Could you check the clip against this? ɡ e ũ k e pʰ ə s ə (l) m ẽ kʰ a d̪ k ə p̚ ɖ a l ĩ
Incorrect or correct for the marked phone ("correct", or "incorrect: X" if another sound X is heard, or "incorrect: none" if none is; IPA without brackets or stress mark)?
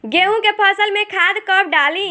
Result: correct